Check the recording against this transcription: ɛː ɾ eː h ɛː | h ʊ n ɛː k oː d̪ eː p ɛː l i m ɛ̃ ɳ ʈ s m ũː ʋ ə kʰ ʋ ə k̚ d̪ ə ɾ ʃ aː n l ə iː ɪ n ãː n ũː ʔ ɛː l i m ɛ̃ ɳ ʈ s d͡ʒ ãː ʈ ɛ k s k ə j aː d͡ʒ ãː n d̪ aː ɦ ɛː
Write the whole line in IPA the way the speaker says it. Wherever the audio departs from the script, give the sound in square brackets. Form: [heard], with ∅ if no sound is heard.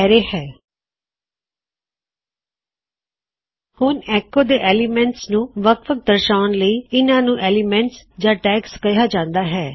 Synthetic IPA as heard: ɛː ɾ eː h ɛː | h ʊ n ɛː k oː d̪ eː [ʔ] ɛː l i m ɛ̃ ɳ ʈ s [n] ũː ʋ ə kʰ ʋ ə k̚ d̪ ə ɾ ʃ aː n l ə iː ɪ n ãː n ũː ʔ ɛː l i m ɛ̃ ɳ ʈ s d͡ʒ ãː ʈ [ɛː] k s k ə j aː d͡ʒ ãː n d̪ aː ɦ ɛː

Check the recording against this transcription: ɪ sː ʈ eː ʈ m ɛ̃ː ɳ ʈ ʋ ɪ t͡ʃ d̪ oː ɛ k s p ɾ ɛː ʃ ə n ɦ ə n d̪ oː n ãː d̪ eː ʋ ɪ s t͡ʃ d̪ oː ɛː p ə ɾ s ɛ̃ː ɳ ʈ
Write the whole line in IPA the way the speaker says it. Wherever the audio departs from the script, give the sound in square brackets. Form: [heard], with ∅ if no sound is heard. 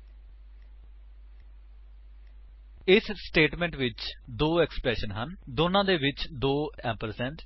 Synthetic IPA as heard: ɪ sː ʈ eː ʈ m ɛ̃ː ɳ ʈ ʋ ɪ t͡ʃ d̪ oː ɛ k s p ɾ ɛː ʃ ə n ɦ ə n d̪ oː n ãː d̪ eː ʋ ɪ [∅] t͡ʃ d̪ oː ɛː p ə ɾ s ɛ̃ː ɳ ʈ

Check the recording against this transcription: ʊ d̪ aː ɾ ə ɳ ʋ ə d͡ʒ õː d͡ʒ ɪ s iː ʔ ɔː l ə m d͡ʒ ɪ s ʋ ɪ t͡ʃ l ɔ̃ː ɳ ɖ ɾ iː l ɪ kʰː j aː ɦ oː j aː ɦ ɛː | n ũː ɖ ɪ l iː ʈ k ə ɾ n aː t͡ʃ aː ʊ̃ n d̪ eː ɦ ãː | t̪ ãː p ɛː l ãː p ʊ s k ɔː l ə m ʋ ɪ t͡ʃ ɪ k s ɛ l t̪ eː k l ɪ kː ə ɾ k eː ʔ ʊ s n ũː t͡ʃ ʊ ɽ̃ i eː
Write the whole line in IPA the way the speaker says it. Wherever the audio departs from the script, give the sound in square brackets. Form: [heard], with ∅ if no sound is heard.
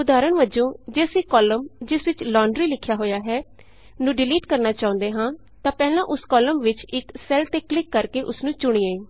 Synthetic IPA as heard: ʊ d̪ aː ɾ ə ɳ ʋ ə d͡ʒ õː d͡ʒ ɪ s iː [k] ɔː l ə m d͡ʒ ɪ s ʋ ɪ t͡ʃ l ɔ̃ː ɳ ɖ ɾ iː l ɪ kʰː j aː ɦ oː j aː ɦ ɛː | n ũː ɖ ɪ l iː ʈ k ə ɾ n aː t͡ʃ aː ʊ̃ n d̪ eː ɦ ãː | t̪ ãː p ɛː l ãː [ʔ] ʊ s k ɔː l ə m ʋ ɪ t͡ʃ ɪ k s ɛ l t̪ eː k l ɪ kː ə ɾ k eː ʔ ʊ s n ũː t͡ʃ ʊ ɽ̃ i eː

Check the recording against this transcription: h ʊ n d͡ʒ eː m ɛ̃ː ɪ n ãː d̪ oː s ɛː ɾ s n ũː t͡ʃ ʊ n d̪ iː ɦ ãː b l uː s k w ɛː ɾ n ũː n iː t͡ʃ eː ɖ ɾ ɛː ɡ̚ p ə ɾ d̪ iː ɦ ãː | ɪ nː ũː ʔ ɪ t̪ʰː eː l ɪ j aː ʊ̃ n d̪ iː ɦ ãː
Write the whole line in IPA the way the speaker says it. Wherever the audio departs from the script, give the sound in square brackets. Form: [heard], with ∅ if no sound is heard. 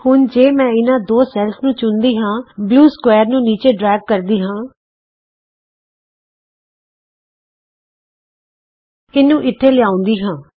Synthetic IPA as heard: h ʊ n d͡ʒ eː m ɛ̃ː ɪ n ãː d̪ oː s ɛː [l] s n ũː t͡ʃ ʊ n d̪ iː ɦ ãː b l uː s k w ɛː ɾ n ũː n iː t͡ʃ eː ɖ ɾ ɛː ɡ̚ [k] ə ɾ d̪ iː ɦ ãː | ɪ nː ũː ʔ ɪ t̪ʰː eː l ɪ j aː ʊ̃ n d̪ iː ɦ ãː

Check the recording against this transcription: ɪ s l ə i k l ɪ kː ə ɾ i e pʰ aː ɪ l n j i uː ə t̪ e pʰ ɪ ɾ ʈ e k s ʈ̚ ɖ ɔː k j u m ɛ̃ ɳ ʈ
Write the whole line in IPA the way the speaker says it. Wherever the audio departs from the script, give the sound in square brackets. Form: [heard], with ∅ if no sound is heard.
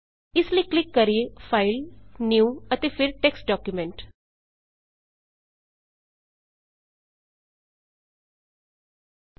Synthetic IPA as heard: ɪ s l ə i k l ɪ kː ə ɾ i e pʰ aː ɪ l n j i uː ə t̪ e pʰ ɪ ɾ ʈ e k s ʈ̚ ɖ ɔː k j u m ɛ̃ ɳ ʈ

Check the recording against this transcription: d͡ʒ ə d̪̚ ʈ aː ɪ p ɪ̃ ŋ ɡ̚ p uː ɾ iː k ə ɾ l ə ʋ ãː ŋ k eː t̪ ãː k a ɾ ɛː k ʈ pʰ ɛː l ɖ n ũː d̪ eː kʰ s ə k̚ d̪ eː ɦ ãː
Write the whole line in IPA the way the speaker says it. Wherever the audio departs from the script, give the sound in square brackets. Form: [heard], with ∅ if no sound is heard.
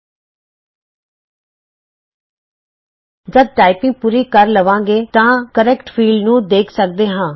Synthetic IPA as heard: d͡ʒ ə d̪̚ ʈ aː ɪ p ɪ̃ ŋ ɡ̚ p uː ɾ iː k ə ɾ l ə ʋ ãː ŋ [ɡ] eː t̪ ãː k [ə] ɾ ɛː k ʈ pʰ [iː] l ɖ n ũː d̪ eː kʰ s ə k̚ d̪ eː ɦ ãː

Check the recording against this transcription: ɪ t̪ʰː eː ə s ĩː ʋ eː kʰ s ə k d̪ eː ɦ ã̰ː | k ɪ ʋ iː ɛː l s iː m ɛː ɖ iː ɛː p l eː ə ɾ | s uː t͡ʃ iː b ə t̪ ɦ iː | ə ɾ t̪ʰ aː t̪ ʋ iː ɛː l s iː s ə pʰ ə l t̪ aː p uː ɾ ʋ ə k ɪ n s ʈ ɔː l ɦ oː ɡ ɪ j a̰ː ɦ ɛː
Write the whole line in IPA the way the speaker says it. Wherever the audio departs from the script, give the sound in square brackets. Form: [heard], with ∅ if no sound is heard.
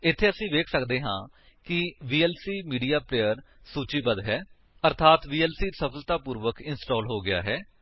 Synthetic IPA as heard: ɪ t̪ʰː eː ə s ĩː ʋ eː kʰ s ə k d̪ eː ɦ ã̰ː | k ɪ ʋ iː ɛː l s iː m [iː] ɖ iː [aː] p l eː ə ɾ | s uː t͡ʃ iː b ə [d̪] ɦ [ɛː] | ə ɾ t̪ʰ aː t̪ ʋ iː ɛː l s iː s ə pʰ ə l t̪ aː p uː ɾ ʋ ə k ɪ n s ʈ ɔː l ɦ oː ɡ ɪ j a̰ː ɦ ɛː

